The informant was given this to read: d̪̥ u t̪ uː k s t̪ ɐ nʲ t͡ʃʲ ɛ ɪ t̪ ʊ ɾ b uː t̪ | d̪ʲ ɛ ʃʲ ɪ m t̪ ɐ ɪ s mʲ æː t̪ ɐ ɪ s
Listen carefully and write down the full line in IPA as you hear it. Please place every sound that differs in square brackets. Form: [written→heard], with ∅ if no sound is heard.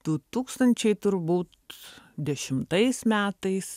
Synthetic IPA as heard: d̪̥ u t̪ uː k s t̪ ɐ nʲ t͡ʃʲ ɛ ɪ t̪ ʊ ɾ b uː t̪ | d̪ʲ ɛ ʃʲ ɪ m t̪ ɐ ɪ s mʲ æː t̪ ɐ ɪ s